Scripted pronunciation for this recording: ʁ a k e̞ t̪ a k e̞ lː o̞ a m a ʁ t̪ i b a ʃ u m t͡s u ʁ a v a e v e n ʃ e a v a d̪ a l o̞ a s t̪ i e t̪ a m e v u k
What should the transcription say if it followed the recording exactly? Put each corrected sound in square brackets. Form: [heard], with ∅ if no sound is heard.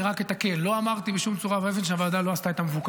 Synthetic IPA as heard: ʁ a k e̞ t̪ a k e̞ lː o̞ a m a ʁ t̪ i b [e] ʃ u m t͡s u ʁ a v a e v e n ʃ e a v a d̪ a l o̞ a s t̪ [a] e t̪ a m e v u k